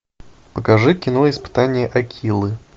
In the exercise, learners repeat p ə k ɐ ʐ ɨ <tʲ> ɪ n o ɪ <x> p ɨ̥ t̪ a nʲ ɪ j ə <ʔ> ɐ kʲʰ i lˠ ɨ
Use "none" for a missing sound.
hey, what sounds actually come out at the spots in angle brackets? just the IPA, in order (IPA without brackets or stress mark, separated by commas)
kʲ, s, ʔ